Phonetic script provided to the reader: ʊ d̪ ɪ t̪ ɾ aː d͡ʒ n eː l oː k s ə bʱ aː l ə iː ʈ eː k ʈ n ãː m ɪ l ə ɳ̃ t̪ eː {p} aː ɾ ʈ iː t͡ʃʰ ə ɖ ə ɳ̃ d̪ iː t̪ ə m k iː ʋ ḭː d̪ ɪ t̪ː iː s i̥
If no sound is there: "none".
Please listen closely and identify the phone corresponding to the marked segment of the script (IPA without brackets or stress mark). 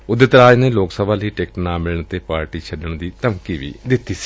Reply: p